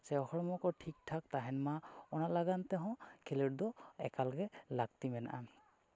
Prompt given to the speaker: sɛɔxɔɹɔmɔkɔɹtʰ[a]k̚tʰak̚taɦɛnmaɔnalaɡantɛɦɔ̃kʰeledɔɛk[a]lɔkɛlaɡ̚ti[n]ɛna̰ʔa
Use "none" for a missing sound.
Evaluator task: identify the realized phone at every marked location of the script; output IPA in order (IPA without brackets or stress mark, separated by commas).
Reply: i, a, m